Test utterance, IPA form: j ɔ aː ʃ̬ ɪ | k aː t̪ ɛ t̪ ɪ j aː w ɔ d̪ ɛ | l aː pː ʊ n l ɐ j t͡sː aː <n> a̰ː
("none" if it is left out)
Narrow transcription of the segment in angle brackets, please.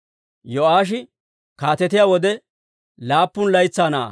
n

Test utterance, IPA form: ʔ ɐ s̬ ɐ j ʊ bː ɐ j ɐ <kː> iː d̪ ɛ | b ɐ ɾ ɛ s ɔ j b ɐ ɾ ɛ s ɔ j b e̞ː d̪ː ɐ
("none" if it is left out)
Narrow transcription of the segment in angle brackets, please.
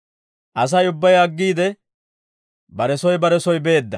ɡː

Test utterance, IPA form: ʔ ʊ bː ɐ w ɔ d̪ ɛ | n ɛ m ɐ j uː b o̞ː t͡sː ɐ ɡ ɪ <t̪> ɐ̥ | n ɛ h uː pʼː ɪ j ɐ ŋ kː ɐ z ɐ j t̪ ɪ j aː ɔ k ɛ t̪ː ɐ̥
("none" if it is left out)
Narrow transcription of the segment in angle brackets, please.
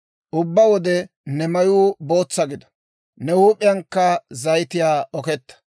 d̪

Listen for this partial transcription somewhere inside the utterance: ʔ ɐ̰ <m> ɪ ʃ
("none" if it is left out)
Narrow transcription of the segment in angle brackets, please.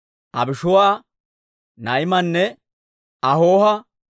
b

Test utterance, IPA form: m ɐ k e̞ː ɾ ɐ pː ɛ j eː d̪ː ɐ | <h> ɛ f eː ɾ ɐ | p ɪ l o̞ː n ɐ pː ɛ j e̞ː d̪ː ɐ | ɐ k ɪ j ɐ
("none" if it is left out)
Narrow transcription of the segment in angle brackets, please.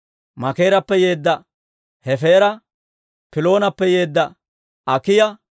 h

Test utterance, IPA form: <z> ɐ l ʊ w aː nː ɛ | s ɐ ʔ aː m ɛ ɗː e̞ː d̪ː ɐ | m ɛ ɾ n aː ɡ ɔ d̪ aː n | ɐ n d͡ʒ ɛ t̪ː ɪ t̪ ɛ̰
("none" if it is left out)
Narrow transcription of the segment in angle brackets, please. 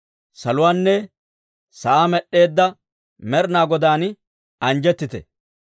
s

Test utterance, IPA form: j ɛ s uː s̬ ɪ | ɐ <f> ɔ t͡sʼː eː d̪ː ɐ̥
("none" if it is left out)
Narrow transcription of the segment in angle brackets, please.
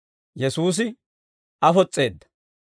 f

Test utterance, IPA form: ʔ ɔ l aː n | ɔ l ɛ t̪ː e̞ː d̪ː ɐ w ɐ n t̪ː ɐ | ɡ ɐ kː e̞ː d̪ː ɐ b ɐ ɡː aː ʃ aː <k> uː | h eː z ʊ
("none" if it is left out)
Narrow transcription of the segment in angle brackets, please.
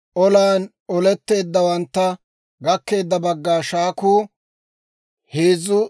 k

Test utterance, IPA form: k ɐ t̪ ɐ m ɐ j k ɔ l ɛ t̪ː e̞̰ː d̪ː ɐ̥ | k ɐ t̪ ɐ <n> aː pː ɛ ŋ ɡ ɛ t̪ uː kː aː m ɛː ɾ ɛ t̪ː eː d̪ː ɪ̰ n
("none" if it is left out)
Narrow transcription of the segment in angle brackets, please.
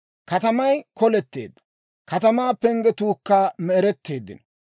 m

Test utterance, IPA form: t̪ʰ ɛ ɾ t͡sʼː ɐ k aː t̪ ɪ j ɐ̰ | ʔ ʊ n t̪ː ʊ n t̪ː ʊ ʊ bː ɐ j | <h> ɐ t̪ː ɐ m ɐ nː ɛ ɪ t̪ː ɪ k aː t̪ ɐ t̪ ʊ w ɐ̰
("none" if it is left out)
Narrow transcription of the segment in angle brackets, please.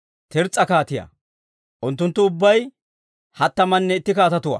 h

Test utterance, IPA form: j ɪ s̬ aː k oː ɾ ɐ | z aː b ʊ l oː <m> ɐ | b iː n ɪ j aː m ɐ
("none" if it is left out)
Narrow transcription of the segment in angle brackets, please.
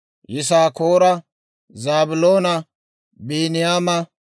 n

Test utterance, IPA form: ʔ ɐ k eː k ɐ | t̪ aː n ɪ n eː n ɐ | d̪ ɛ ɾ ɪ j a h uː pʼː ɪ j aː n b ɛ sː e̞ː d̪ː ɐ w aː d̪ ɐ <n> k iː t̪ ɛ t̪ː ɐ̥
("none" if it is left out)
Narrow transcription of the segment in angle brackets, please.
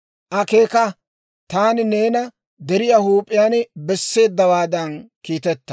n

